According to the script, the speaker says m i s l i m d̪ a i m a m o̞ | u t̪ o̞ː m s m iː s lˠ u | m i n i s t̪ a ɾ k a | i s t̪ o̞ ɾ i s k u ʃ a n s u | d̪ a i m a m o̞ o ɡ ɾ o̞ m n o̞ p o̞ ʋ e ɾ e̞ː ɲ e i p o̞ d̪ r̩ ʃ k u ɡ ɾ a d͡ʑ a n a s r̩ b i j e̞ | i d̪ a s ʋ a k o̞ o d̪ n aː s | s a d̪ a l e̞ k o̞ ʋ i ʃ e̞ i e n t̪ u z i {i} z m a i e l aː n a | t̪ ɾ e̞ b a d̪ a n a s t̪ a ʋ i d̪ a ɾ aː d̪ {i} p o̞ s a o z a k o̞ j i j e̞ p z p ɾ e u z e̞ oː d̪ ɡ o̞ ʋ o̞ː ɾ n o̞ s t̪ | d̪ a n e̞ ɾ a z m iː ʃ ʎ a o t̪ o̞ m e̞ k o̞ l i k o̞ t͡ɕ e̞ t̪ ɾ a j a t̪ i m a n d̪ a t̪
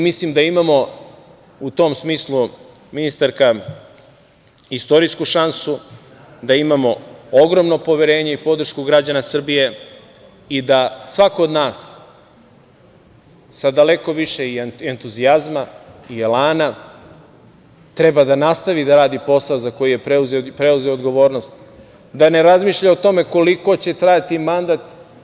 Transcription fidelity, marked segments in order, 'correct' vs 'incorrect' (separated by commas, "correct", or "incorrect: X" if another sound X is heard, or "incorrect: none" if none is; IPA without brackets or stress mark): incorrect: a, correct